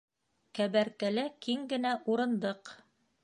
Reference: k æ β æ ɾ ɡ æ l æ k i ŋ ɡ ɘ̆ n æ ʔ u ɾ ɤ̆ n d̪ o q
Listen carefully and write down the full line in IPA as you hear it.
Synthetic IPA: k æ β æ ɾ k æ l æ k i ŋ ɡ ɘ̆ n æ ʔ u ɾ ɤ̆ n d̪ ɤ q